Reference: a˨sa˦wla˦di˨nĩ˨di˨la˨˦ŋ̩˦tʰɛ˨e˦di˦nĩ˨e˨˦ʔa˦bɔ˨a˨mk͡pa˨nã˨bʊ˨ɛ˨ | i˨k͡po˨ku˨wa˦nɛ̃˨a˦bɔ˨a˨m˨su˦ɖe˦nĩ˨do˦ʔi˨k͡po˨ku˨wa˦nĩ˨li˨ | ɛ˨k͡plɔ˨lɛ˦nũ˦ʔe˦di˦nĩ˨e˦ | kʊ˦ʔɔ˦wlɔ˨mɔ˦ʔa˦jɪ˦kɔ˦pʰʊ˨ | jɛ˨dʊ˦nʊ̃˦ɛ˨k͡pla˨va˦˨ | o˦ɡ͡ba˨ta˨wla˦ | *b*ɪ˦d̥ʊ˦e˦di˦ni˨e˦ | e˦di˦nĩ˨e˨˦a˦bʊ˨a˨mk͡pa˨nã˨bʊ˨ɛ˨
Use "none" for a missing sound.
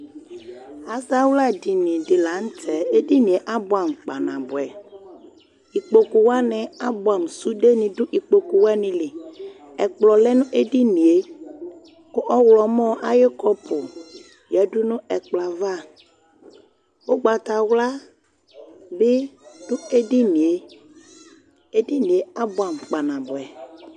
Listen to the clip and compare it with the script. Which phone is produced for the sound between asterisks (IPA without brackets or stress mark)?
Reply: b